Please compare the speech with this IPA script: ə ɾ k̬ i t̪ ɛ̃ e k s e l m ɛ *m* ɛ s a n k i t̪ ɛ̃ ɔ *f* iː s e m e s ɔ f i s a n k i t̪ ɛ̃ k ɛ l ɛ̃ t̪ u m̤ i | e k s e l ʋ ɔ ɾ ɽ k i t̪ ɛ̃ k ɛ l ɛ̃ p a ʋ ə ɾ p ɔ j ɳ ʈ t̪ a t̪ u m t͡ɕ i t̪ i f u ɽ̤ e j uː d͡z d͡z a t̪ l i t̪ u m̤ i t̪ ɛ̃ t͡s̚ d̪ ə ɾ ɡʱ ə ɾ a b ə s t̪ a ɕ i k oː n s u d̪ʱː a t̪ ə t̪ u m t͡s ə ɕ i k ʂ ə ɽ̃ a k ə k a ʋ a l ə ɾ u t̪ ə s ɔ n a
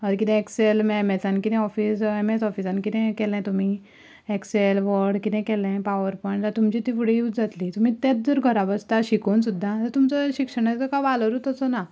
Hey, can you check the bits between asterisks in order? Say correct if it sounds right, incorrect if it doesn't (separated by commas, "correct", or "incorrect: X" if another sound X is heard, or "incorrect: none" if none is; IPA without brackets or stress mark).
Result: correct, correct